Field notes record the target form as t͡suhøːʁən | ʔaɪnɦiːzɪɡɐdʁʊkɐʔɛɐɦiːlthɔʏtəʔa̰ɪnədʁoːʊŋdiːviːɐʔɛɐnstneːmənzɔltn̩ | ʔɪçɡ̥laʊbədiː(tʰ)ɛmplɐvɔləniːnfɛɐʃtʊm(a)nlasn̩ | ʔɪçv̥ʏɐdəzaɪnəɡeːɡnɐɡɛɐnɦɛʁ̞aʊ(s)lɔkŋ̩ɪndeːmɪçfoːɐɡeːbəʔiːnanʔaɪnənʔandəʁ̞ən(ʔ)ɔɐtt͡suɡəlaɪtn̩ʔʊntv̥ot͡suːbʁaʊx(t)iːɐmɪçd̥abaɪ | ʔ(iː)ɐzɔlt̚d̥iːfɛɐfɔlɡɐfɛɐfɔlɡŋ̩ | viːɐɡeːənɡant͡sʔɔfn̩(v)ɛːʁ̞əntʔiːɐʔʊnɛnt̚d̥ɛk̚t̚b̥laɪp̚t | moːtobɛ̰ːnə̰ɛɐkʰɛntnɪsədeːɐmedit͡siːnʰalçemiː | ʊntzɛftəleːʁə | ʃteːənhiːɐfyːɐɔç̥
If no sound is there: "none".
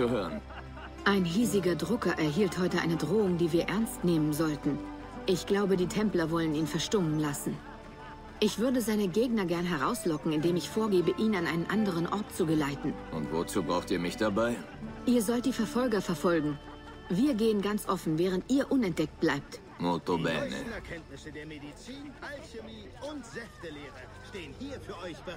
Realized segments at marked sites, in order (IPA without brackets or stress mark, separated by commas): tʰ, ə, s, ʔ, t, iː, v